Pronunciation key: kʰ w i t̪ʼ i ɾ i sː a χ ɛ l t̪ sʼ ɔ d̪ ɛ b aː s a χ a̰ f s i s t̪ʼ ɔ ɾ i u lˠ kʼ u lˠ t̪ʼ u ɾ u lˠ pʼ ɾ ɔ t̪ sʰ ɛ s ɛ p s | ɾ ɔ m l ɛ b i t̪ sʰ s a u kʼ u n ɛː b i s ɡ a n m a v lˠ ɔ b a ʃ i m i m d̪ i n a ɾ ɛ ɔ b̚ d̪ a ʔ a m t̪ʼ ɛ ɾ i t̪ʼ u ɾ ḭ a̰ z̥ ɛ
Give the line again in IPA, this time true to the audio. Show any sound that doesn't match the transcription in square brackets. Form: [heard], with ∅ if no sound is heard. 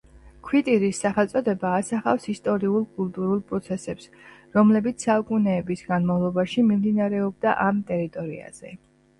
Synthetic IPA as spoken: kʰ w i t̪ʼ i ɾ i sː a χ ɛ l t̪ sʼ ɔ d̪ ɛ b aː s a χ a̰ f s i s t̪ʼ ɔ ɾ i u lˠ kʼ u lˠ t̪ʼ u ɾ u lˠ pʼ ɾ ɔ t̪ sʰ ɛ s ɛ p s | ɾ ɔ m l ɛ b i t̪ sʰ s a u kʼ u n ɛː b i s ɡ a n m a v lˠ ɔ b a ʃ i m i m d̪ i n a ɾ ɛ ɔ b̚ d̪ a ʔ a m t̪ʼ ɛ ɾ i t̪ʼ [ɔ] ɾ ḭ a̰ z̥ ɛ